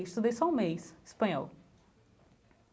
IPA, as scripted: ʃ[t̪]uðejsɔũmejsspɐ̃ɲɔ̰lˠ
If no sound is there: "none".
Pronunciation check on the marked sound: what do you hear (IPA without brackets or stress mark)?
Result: t̪